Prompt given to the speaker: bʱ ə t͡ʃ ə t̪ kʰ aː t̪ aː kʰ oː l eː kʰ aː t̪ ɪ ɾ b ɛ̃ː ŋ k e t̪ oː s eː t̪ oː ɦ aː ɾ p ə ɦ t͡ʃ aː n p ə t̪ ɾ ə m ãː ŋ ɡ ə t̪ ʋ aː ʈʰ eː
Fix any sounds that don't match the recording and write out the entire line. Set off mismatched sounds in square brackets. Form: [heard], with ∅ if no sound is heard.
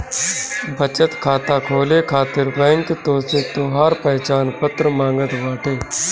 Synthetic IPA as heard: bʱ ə t͡ʃ ə t̪ kʰ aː t̪ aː kʰ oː l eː kʰ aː t̪ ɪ ɾ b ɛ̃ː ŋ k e t̪ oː s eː t̪ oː ɦ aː ɾ p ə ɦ t͡ʃ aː n p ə t̪ ɾ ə m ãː ŋ ɡ ə t̪ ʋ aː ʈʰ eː